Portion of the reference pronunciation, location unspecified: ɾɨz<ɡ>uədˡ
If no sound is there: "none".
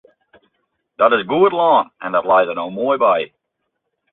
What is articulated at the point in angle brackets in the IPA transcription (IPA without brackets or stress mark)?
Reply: ɡ